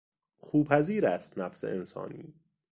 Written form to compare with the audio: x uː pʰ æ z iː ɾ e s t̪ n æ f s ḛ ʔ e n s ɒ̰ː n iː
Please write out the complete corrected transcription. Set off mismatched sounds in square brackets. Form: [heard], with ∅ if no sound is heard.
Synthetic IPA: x uː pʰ æ z iː ɾ [æ] s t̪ n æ f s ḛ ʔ e n s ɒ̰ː n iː